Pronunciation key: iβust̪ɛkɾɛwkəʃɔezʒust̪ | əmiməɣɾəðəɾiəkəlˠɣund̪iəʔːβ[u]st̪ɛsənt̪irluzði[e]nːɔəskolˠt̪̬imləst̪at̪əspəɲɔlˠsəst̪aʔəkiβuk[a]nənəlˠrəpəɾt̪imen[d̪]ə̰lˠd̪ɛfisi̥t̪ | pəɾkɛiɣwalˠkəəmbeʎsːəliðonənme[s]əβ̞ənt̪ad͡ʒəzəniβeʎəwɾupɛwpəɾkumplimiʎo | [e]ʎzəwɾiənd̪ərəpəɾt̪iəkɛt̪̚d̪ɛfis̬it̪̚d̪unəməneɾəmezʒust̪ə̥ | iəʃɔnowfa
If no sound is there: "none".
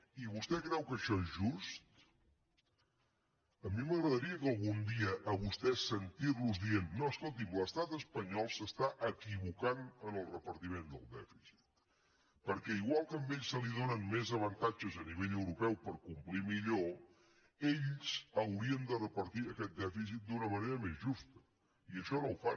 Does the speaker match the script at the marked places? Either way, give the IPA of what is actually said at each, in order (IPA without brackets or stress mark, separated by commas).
u, e, a, d̪, z, e